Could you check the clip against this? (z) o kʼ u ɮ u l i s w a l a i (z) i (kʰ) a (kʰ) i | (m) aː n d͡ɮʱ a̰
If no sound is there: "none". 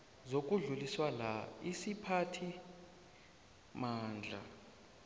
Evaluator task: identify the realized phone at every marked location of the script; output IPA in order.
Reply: z, s, pʰ, tʰ, m

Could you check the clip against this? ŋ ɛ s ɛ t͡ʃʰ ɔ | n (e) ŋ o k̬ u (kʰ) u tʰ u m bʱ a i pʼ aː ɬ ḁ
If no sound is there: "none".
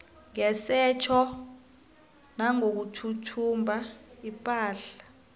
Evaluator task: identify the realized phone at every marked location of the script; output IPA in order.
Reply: a, tʰ

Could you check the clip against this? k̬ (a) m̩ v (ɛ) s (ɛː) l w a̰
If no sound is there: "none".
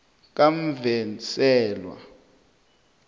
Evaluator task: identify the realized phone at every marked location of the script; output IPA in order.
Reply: a, ɛ, ɛː

